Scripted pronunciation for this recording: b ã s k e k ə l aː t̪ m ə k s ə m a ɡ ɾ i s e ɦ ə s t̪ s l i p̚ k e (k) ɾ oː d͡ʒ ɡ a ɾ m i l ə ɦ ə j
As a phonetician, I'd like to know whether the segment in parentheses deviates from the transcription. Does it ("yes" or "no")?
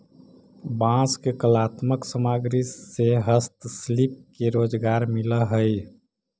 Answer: yes